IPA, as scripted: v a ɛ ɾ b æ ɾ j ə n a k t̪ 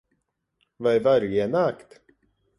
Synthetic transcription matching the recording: v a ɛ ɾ v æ ɾ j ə n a k t̪